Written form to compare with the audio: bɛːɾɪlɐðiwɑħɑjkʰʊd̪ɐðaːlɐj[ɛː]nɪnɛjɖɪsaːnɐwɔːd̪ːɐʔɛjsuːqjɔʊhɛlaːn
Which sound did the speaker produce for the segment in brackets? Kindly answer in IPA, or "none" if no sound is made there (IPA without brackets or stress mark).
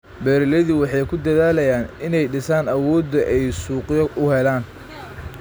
aː